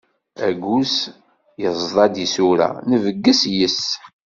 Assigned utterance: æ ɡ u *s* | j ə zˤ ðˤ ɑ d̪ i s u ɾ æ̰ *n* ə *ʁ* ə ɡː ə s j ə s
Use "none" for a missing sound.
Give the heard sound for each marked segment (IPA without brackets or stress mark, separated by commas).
s, n, v